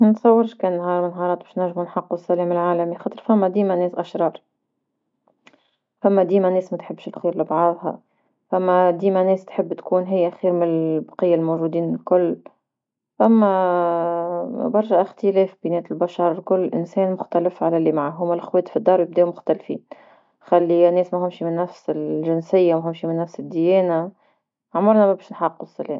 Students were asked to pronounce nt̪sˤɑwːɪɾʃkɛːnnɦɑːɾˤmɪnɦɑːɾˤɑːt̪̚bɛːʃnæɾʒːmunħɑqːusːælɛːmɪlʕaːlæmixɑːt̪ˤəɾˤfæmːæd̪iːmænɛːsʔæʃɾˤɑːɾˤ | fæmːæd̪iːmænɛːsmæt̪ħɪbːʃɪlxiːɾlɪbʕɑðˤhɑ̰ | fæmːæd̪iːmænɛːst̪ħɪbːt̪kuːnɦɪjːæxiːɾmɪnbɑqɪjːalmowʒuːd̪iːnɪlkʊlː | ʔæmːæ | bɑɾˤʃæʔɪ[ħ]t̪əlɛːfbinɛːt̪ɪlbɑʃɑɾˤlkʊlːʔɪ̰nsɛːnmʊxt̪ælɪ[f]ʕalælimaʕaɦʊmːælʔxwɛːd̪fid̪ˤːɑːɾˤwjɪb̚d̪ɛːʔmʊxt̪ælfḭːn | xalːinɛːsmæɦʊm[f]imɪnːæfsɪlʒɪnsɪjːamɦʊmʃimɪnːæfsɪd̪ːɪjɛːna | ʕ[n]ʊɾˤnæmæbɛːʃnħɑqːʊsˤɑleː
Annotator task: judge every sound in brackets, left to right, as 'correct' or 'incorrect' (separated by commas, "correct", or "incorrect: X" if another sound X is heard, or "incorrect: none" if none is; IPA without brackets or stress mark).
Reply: incorrect: x, correct, incorrect: ʃ, incorrect: m